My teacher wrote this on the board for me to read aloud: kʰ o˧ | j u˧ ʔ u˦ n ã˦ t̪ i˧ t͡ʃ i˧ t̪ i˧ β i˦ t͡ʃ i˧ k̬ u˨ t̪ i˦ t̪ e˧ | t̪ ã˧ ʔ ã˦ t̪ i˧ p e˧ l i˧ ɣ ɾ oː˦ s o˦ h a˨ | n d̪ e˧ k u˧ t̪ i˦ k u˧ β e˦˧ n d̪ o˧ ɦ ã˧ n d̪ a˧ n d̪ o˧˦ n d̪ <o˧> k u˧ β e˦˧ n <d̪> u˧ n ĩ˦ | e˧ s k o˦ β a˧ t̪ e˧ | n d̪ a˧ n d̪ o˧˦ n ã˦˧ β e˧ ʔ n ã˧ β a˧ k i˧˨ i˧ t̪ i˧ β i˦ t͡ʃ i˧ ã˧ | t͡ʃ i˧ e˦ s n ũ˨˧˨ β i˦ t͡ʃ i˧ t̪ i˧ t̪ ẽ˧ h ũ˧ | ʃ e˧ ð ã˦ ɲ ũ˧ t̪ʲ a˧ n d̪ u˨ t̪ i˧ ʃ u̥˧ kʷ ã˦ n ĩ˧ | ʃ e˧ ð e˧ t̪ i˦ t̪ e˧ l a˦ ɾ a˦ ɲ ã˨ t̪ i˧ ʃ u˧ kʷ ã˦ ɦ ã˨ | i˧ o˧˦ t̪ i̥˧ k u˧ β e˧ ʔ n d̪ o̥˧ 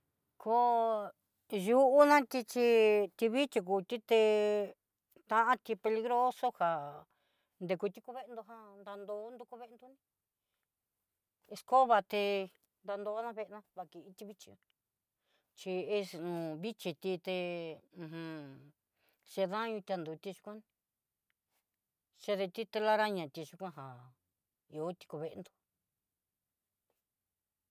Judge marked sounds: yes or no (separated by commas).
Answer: no, yes